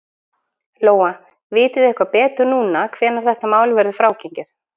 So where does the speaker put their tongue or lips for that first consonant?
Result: tongue tip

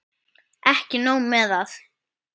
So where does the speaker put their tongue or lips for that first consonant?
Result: throat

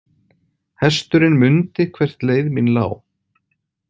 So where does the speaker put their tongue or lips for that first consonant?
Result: throat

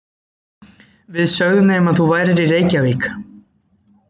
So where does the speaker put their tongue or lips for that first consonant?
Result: lips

